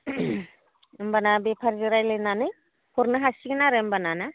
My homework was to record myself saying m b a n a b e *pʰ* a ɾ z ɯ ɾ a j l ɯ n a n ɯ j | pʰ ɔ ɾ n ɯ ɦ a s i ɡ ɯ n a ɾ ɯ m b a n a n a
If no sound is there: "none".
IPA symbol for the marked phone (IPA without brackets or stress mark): pʰ